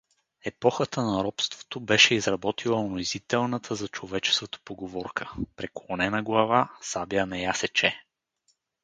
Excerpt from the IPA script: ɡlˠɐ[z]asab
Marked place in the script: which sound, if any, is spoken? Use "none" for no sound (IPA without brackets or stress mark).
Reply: v